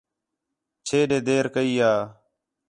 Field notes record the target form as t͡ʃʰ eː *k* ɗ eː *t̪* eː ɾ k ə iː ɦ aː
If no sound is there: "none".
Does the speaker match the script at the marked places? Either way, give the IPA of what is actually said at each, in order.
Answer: none, d̪

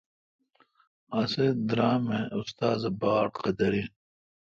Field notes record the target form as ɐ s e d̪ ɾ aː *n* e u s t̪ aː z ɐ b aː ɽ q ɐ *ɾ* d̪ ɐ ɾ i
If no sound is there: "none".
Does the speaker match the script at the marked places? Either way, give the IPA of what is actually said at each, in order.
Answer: m, none

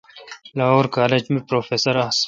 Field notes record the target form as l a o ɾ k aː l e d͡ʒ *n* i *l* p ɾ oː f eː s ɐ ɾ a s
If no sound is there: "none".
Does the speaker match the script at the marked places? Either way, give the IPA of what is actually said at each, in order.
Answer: m, none

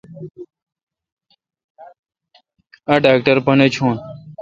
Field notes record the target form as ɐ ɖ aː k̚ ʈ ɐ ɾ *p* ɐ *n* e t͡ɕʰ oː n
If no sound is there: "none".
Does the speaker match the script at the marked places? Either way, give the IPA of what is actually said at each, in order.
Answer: p, n

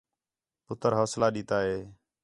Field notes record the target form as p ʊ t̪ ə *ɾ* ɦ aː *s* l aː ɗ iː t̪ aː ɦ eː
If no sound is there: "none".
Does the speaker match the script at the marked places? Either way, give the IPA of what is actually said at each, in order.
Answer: ɾ, s

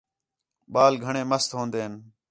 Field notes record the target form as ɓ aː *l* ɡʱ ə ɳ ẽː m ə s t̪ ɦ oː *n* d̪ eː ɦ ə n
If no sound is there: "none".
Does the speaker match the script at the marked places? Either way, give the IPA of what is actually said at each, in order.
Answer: l, n

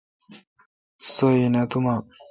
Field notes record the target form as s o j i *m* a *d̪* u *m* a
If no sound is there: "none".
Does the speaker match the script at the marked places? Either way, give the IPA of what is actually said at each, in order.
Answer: n, t̪, m

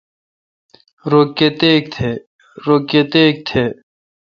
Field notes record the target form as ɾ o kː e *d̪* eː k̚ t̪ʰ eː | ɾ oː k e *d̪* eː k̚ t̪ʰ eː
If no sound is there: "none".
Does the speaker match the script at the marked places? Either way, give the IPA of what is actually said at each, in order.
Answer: t̪, t̪

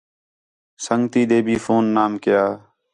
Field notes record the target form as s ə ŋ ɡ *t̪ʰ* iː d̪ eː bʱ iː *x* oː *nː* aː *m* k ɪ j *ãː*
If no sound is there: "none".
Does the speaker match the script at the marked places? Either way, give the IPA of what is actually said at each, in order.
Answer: t̪, f, nː, m, aː

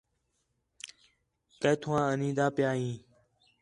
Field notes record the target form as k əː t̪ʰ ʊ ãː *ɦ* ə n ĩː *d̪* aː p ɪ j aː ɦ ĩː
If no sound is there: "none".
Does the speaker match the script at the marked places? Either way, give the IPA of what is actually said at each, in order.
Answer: none, d̪

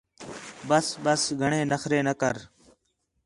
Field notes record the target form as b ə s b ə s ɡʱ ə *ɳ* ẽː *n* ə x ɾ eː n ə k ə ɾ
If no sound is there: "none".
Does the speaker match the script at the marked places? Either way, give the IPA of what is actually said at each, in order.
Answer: ɳ, n

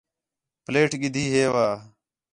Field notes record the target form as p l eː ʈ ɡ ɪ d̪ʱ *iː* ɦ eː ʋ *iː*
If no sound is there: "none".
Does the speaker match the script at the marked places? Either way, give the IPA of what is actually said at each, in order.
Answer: iː, aː

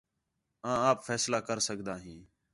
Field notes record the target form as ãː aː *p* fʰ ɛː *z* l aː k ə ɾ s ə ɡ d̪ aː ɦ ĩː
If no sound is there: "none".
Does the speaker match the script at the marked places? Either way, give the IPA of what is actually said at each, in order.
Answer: p, s

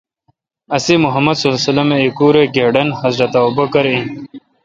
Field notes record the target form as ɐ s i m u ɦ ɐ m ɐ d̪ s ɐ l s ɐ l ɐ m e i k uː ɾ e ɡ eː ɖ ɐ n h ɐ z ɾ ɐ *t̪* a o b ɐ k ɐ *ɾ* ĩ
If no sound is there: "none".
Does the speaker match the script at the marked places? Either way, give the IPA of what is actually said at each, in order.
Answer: t̪, ɾ

